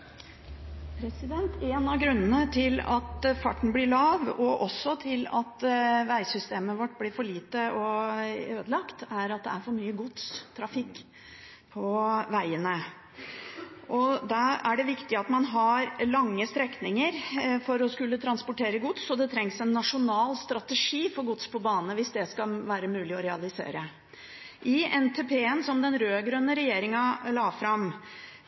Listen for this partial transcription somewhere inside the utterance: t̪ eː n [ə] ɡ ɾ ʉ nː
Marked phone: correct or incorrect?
incorrect